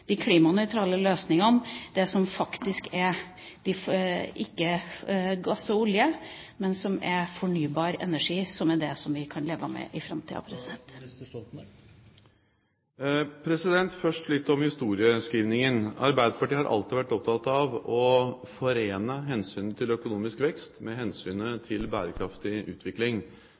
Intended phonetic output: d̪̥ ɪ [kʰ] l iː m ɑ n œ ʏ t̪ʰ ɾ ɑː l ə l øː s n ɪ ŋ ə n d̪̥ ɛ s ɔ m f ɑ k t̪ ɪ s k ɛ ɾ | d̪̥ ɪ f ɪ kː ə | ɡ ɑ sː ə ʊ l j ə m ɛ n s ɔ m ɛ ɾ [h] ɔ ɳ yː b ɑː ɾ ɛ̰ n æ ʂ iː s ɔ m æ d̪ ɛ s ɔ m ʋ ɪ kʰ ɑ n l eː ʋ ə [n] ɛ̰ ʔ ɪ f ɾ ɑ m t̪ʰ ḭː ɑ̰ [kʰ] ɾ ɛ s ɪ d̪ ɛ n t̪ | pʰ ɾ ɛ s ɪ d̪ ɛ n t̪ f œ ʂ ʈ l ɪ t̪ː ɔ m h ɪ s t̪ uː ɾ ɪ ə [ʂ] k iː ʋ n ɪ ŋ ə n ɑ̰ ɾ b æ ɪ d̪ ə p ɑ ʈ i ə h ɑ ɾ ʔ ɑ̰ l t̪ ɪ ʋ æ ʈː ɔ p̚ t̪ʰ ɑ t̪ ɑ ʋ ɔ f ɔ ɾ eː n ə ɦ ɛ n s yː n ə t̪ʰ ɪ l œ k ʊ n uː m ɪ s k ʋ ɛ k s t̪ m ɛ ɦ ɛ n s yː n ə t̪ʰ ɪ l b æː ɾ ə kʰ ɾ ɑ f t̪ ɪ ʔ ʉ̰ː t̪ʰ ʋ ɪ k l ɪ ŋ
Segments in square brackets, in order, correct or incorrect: correct, incorrect: f, incorrect: m, incorrect: pʰ, incorrect: s

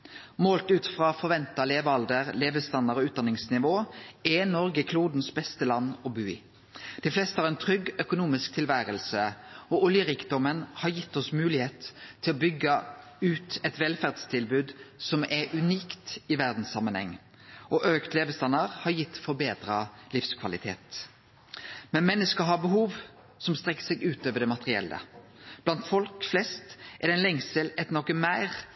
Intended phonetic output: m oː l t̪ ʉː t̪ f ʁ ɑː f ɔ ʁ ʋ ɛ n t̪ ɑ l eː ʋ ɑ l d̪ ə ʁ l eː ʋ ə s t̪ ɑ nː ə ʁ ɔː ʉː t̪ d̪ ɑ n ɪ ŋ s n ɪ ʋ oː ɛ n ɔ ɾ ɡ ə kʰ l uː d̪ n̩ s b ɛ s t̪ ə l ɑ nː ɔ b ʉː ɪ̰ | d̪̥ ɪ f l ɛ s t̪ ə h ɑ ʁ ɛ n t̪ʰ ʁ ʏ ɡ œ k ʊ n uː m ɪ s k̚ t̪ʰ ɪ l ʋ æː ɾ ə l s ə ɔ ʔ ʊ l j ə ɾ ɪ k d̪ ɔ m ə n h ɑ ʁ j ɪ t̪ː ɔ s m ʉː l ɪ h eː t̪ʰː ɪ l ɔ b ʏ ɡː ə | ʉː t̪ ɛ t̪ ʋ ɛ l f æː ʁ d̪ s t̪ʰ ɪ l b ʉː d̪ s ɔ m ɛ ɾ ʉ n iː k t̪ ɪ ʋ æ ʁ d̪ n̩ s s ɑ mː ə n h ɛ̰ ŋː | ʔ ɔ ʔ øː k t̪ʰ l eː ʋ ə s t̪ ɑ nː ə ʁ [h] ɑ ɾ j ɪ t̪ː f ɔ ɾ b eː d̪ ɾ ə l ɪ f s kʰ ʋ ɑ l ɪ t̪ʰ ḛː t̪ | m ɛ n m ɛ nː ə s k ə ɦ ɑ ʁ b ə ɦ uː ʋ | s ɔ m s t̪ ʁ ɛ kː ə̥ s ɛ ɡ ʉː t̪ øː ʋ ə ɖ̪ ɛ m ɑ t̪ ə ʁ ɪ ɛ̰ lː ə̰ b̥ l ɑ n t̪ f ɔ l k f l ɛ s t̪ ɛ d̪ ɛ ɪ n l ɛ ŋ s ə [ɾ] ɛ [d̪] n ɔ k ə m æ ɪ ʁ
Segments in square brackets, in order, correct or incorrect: correct, incorrect: l, incorrect: t̪

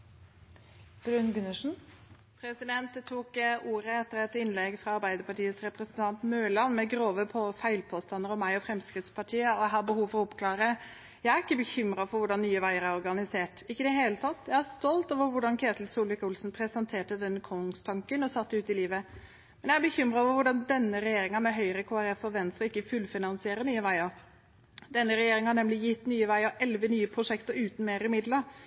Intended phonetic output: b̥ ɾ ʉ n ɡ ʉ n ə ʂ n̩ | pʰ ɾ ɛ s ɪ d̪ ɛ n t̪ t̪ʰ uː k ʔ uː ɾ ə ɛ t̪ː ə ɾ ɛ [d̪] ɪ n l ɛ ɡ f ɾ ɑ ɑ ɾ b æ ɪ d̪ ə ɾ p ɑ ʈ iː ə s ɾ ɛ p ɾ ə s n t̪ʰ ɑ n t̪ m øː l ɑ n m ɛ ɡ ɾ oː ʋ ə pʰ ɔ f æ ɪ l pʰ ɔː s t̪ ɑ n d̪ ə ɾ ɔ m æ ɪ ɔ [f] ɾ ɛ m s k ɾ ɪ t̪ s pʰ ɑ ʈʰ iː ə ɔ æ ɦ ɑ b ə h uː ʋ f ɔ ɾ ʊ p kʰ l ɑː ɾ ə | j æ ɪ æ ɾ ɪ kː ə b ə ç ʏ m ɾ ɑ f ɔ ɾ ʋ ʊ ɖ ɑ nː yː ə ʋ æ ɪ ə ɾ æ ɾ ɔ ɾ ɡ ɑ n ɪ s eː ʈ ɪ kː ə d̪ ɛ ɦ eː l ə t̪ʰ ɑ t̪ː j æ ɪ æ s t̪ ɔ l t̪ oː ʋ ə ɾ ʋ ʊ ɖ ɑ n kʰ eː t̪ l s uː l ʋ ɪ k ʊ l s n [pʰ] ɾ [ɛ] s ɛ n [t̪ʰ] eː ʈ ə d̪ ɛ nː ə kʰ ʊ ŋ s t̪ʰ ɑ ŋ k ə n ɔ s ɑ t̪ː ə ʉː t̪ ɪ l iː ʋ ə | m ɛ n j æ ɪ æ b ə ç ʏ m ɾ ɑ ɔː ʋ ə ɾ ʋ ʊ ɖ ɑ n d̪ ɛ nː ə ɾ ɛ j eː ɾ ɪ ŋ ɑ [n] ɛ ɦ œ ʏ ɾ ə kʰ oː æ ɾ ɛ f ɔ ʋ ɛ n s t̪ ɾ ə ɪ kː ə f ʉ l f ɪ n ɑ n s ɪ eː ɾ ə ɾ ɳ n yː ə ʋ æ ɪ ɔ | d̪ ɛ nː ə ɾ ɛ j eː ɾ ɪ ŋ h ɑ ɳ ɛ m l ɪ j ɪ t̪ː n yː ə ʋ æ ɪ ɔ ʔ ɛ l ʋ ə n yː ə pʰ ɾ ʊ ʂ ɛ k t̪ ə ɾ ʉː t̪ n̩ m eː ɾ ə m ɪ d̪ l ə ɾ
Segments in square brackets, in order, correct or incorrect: incorrect: t̪, correct, correct, correct, correct, incorrect: m

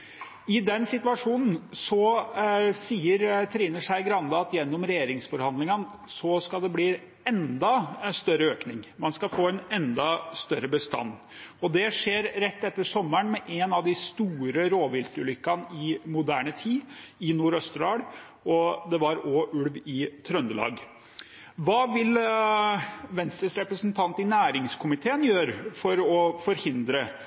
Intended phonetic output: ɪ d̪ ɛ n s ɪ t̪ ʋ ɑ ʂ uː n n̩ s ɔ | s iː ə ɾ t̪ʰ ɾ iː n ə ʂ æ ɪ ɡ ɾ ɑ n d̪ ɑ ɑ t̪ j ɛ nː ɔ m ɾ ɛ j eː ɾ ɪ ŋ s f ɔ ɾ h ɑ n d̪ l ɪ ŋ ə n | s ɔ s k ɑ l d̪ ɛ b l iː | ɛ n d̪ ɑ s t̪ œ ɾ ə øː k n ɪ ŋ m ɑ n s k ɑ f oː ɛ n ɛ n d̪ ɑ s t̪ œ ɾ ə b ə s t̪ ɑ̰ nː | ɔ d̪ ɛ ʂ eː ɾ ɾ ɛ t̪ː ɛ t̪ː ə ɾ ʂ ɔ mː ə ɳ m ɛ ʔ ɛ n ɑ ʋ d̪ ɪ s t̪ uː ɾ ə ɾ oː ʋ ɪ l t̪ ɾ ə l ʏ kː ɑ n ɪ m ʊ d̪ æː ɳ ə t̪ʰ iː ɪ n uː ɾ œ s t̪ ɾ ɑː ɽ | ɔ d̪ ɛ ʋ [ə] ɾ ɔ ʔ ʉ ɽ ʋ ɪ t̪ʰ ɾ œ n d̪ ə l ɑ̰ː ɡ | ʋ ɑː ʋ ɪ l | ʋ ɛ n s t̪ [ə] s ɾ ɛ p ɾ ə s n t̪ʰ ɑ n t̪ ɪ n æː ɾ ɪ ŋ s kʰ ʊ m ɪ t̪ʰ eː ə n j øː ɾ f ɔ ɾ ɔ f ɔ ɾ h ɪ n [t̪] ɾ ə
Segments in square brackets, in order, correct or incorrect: incorrect: ɑ, correct, incorrect: d̪

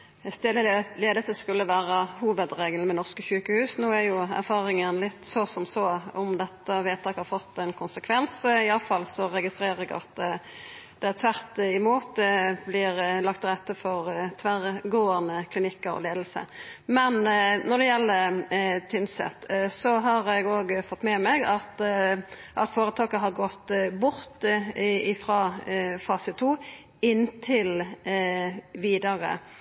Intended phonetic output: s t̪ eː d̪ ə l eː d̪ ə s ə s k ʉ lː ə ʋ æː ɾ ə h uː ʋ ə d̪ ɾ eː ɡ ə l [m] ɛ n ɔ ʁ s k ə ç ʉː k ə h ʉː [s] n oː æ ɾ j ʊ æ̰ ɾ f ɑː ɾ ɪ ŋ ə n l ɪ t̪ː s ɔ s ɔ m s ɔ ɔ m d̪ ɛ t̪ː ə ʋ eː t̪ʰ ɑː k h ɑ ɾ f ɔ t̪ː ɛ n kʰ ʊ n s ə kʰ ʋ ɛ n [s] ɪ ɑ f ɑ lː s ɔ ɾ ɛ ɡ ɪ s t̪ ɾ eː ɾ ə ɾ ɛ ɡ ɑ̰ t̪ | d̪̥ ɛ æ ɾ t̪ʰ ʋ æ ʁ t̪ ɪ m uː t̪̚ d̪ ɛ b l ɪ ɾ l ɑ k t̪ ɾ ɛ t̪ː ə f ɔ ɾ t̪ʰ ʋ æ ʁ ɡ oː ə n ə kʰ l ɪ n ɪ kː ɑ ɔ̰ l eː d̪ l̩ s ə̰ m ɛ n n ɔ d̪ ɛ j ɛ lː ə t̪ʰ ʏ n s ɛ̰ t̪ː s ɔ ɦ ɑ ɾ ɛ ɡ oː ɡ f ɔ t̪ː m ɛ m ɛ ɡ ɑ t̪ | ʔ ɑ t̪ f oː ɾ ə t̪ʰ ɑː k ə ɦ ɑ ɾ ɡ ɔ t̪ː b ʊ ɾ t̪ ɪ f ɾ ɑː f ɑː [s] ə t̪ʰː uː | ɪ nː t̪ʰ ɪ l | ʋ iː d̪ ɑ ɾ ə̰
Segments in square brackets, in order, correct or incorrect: correct, correct, correct, correct

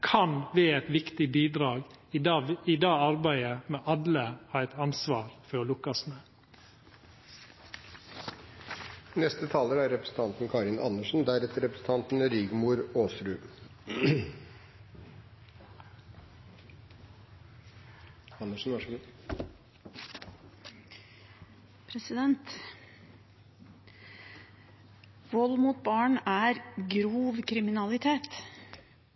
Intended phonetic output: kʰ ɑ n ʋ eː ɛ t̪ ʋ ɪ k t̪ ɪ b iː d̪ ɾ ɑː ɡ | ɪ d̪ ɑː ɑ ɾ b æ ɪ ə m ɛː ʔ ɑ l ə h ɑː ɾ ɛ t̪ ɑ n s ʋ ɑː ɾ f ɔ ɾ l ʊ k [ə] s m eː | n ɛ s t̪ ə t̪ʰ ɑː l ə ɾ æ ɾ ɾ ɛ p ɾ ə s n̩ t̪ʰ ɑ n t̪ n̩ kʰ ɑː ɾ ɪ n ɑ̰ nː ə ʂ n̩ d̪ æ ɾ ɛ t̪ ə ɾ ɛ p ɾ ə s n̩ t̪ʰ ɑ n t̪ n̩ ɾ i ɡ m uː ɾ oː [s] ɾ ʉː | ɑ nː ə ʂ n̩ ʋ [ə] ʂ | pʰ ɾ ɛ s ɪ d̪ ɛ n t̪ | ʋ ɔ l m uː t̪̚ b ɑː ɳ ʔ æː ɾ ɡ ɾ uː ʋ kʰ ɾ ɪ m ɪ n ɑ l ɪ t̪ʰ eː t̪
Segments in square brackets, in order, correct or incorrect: incorrect: ɑ, correct, incorrect: ɑ

